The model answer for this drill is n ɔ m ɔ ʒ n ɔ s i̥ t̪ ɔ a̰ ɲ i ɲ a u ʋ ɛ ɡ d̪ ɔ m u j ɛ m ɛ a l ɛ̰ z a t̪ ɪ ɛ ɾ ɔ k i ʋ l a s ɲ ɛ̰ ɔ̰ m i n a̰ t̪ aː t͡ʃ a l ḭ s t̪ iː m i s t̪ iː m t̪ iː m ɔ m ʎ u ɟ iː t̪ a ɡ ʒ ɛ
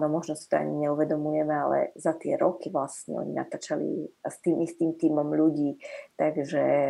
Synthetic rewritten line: n ɔ m ɔ ʒ n ɔ s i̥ t̪ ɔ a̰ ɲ i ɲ ɛ u ʋ ɛ d̪ ɔ m u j ɛ m ɛ a l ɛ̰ z a t̪ ɪ ɛ ɾ ɔ k i ʋ l a s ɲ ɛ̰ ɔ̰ ɲ i n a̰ t̪ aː t͡ʃ a l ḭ s t̪ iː m i s t̪ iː m t̪ iː m ɔ m ʎ u ɟ iː t̪ a ɡ ʒ ɛ